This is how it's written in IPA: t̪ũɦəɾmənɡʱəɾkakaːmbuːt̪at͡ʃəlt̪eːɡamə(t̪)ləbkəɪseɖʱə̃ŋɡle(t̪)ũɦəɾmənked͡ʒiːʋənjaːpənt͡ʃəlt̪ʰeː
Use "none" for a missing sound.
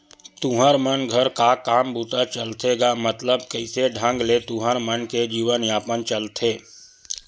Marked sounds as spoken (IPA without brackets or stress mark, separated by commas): t̪, t̪